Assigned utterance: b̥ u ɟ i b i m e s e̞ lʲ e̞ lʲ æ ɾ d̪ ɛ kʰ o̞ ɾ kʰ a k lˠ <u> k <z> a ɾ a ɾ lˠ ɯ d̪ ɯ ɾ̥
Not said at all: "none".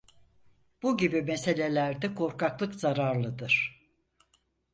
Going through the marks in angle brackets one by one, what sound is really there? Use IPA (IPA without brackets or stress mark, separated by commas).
ɯ, z